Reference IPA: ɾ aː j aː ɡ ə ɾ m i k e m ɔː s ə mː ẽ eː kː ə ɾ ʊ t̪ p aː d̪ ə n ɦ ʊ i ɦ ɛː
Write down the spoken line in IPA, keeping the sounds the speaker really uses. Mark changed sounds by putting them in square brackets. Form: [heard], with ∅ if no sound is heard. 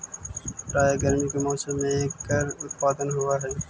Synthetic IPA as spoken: ɾ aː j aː ɡ ə ɾ m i k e m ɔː s ə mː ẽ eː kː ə ɾ ʊ t̪ p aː d̪ ə n ɦ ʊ [a] ɦ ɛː